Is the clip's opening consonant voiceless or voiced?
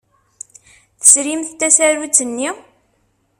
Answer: voiceless